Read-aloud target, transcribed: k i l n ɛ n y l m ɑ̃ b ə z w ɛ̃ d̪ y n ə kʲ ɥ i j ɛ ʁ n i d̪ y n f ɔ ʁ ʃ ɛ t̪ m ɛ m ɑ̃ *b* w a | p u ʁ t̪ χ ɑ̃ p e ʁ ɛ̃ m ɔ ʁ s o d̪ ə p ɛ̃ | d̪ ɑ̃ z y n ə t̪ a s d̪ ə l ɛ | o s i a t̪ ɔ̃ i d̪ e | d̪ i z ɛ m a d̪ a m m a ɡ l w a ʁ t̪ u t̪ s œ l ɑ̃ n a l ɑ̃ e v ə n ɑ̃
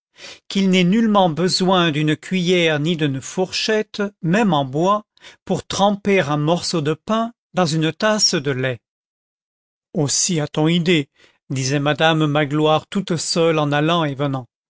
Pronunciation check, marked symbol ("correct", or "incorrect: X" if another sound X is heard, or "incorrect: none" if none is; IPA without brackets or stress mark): correct